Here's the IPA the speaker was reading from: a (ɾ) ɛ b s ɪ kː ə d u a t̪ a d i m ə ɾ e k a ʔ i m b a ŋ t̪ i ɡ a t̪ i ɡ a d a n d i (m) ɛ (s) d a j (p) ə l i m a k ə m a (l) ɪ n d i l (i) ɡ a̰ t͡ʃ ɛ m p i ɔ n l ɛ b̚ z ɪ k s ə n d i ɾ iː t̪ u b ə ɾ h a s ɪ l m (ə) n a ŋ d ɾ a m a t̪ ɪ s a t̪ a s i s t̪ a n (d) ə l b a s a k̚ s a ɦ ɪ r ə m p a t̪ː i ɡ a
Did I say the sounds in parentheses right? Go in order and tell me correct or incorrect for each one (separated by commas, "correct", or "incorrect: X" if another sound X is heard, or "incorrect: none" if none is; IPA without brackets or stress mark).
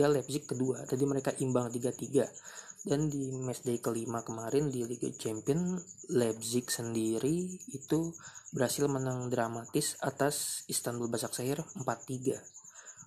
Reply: incorrect: l, correct, correct, incorrect: k, incorrect: ɾ, correct, correct, incorrect: b